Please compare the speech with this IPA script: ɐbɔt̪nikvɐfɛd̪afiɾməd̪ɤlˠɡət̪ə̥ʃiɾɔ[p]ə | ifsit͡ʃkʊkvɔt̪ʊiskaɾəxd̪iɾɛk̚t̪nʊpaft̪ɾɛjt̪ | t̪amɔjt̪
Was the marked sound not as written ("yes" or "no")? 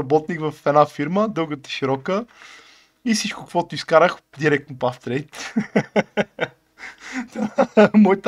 yes